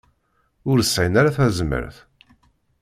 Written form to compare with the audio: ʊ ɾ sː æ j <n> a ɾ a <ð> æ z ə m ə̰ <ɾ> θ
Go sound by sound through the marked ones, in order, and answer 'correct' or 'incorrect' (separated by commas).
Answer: correct, incorrect, correct